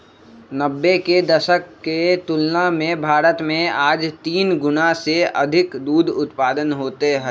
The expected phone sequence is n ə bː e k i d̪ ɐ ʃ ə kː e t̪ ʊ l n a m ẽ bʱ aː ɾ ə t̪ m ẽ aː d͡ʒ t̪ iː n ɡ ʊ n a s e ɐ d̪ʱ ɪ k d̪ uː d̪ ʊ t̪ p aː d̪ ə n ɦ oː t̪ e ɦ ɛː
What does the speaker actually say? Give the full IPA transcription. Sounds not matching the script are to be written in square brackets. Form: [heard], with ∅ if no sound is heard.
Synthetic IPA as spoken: n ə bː e k [e] d̪ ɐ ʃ ə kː e t̪ ʊ l n a m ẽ bʱ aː ɾ ə t̪ m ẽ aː d͡ʒ t̪ iː n ɡ ʊ n a s e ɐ d̪ʱ ɪ k d̪ uː d̪ ʊ t̪ p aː d̪ ə n ɦ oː t̪ e ɦ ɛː